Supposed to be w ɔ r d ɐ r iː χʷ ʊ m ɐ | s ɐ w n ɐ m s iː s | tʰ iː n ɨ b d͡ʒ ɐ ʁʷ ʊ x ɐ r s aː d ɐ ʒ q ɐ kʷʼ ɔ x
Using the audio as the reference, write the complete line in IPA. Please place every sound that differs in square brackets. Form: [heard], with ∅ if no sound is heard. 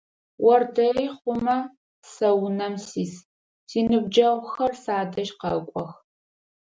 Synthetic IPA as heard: w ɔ r d ɐ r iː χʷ ʊ m ɐ | s ɐ w n ɐ m s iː s | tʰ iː n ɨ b d͡ʒ ɐ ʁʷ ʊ x ɐ r s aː d ɐ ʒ q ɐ kʷʼ ɔ x